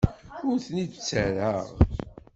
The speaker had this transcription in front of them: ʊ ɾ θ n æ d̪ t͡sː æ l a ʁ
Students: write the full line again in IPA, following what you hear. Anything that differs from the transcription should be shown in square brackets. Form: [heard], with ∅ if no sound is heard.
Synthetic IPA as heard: ʊ ɾ θ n [i] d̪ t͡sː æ [ɾ] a ʁ